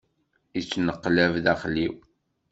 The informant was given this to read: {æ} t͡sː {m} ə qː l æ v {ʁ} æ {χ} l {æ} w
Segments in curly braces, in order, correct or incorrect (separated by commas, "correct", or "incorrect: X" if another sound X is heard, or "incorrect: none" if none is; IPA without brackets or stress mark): incorrect: i, incorrect: n, incorrect: ð, correct, incorrect: i